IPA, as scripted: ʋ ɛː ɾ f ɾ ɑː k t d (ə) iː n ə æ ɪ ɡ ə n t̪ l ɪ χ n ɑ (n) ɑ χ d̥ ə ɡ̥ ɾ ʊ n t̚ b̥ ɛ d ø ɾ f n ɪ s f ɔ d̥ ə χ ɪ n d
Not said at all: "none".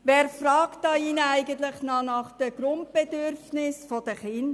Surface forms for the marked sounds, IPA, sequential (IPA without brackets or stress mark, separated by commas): ɑ, n